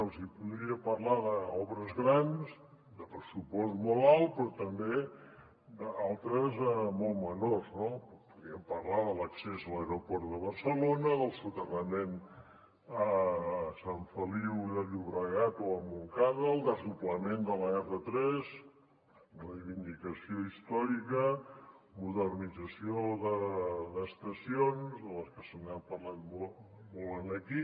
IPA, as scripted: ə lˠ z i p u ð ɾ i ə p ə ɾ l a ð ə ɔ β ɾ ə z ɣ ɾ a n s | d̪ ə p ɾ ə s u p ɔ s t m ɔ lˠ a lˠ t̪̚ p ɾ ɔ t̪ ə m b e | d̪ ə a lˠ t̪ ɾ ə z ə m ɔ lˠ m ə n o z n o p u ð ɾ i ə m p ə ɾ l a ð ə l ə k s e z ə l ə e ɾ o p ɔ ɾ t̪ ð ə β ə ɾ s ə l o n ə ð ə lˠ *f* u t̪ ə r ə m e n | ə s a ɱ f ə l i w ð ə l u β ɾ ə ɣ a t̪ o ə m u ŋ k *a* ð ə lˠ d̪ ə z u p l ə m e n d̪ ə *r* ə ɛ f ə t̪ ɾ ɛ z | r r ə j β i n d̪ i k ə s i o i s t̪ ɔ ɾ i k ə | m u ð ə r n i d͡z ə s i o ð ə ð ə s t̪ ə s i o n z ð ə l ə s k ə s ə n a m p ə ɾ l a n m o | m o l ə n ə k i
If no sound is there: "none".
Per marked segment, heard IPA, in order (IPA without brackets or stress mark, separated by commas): s, a, l